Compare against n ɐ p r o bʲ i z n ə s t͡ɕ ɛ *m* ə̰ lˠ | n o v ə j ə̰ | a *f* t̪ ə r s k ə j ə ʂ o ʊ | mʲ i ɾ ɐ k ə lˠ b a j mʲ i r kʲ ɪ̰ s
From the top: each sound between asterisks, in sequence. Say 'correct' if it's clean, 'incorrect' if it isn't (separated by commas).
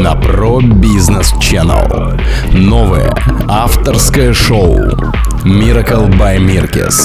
incorrect, correct